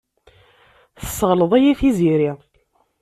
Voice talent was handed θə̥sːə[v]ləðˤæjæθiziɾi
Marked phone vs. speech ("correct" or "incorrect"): incorrect